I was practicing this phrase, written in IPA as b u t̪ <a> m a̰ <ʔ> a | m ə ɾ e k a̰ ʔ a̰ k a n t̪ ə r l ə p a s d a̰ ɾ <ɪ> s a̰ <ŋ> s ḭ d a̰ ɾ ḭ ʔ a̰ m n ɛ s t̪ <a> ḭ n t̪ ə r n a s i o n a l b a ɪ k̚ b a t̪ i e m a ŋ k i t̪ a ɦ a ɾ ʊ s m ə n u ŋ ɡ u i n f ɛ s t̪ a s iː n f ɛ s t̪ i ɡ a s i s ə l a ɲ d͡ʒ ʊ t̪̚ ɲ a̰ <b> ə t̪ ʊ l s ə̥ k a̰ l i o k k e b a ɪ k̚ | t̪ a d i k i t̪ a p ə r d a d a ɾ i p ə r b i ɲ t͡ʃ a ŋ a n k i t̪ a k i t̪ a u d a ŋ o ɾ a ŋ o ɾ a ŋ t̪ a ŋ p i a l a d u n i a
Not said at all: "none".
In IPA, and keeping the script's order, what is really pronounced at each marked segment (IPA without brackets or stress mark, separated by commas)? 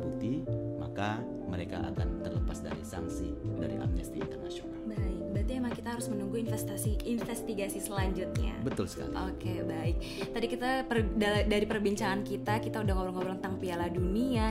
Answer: i, k, i, ŋ, i, b